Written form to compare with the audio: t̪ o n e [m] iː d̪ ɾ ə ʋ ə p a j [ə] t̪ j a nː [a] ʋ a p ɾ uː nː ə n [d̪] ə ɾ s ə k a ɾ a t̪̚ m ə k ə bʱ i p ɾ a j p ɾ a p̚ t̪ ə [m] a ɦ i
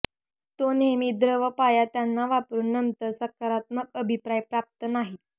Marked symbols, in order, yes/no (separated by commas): yes, no, yes, no, no